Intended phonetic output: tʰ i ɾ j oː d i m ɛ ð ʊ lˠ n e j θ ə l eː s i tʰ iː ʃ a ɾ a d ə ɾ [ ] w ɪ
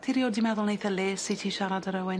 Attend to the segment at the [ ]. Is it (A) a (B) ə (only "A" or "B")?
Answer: B